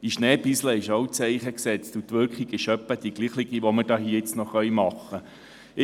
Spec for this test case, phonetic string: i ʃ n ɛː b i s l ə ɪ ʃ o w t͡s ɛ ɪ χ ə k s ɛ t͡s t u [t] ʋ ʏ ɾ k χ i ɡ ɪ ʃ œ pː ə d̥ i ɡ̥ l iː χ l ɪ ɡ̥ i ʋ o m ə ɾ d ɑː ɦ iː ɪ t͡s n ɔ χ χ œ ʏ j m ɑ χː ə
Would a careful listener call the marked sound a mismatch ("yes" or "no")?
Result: no